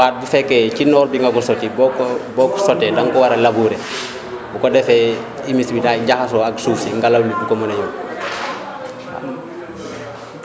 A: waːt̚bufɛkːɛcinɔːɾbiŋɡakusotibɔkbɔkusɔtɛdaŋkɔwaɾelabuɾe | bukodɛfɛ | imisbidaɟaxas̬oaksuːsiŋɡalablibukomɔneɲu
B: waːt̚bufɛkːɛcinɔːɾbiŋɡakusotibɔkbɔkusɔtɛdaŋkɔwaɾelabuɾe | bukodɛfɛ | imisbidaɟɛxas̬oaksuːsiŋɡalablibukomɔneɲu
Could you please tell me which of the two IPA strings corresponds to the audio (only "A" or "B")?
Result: A